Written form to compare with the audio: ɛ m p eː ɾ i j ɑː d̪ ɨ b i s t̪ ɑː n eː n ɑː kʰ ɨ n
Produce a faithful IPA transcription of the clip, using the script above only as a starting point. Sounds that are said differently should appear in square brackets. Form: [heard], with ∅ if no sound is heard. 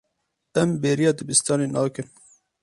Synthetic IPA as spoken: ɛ m [b] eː ɾ i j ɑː d̪ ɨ b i s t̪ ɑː n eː n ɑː [k] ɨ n